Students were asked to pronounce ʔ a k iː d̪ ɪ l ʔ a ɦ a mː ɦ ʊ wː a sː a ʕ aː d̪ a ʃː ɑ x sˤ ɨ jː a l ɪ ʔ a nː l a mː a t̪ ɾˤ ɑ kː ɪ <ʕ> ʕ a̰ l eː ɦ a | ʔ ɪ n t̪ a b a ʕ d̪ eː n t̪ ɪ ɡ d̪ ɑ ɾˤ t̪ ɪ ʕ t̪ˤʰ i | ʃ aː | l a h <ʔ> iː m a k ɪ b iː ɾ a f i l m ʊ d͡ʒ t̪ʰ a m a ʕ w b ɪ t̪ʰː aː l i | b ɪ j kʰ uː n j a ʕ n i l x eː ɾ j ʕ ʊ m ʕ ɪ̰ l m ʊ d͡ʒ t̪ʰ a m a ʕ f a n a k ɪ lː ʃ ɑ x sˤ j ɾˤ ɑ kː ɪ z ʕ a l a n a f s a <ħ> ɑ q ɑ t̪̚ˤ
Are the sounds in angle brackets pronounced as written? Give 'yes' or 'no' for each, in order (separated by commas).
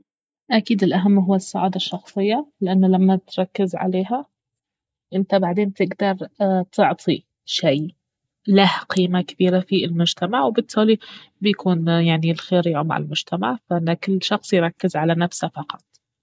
no, no, no